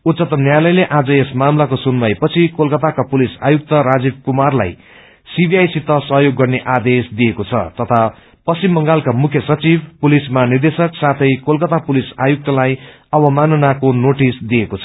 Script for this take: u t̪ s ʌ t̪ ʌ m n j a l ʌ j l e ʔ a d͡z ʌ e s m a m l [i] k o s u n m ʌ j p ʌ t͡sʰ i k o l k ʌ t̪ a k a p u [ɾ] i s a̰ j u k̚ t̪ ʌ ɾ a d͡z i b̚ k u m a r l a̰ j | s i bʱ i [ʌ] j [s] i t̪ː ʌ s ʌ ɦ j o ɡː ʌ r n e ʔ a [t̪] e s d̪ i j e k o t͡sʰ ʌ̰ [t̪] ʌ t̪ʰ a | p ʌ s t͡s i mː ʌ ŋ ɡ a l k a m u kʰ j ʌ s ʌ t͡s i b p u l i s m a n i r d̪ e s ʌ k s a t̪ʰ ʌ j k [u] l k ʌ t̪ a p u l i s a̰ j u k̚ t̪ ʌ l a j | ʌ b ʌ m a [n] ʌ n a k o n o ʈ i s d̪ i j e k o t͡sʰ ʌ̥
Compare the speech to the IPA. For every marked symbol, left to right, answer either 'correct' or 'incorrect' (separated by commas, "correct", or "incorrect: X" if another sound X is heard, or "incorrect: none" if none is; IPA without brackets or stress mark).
incorrect: a, incorrect: l, incorrect: a, correct, incorrect: d̪, correct, incorrect: o, correct